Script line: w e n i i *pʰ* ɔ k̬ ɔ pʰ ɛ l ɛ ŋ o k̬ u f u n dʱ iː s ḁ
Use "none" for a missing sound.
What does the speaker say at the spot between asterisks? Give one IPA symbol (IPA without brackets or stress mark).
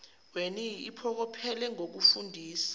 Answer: pʰ